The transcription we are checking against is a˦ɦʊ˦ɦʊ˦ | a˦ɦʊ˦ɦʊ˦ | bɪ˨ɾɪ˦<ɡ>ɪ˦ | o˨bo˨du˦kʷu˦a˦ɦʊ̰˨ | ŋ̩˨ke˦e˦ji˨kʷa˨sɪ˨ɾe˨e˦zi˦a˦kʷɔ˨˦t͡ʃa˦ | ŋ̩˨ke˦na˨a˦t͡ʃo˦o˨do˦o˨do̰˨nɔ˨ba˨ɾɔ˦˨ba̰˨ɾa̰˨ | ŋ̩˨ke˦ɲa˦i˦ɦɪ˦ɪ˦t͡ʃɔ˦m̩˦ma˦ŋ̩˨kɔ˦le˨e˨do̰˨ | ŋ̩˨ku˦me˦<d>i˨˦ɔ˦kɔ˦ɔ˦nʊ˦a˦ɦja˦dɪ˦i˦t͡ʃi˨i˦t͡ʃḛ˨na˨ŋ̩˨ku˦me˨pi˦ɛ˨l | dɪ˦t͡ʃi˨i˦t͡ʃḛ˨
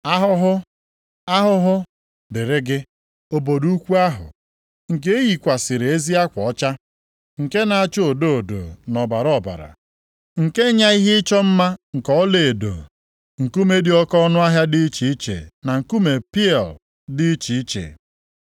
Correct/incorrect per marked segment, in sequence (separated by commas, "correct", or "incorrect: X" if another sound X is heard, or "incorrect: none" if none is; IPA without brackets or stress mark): correct, correct